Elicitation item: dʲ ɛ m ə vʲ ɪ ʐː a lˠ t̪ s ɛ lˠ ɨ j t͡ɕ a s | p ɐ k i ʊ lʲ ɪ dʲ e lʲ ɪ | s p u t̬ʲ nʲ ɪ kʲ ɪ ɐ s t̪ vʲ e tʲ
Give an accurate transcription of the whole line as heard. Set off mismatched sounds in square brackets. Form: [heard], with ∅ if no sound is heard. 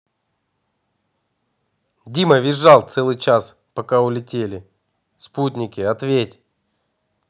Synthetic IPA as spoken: dʲ [i] m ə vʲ ɪ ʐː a lˠ t̪ s ɛ lˠ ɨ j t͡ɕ a s | p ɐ k [a] ʊ lʲ ɪ [tʲ] e lʲ ɪ | s p u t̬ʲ nʲ ɪ kʲ ɪ ɐ [∅] t̪ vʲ e tʲ